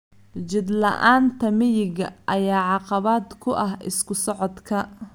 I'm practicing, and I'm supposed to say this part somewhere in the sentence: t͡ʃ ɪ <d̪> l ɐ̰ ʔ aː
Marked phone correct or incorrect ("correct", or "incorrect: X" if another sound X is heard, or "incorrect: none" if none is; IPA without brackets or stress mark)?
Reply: correct